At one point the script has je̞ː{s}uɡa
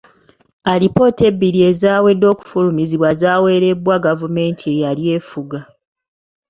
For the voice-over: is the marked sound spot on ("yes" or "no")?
no